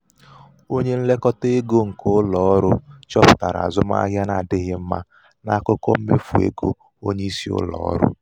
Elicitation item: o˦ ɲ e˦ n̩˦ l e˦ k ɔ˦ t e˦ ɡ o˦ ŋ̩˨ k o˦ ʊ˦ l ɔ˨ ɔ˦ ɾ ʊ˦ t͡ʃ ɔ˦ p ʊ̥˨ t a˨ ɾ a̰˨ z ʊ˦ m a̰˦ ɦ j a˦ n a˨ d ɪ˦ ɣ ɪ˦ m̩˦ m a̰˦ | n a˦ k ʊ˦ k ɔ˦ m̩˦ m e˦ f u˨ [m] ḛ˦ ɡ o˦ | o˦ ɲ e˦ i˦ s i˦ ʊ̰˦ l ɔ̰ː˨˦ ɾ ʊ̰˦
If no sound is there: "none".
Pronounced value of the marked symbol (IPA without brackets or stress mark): none